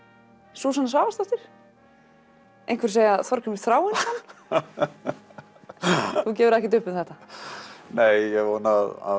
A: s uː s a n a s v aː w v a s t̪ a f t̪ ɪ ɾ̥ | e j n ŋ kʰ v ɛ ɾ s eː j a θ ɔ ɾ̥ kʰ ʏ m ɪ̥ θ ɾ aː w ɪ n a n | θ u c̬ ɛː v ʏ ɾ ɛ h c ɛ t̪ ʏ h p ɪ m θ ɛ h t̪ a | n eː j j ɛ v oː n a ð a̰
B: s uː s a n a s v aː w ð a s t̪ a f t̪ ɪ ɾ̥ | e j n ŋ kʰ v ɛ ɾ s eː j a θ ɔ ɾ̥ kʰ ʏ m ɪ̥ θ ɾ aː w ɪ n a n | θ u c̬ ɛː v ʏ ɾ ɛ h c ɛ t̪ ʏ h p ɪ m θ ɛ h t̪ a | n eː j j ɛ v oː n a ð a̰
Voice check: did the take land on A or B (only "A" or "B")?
A